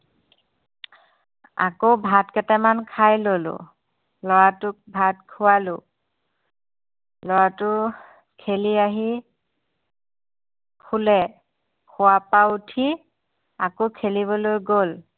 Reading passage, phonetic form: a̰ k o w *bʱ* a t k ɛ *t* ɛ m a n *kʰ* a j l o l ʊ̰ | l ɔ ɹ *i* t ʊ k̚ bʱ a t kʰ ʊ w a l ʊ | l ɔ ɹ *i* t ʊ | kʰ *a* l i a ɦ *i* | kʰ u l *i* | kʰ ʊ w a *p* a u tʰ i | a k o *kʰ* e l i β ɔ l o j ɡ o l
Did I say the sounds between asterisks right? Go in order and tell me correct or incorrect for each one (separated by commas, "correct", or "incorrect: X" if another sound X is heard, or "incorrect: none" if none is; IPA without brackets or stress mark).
correct, correct, correct, incorrect: a, incorrect: a, incorrect: e, correct, incorrect: ɛ, correct, correct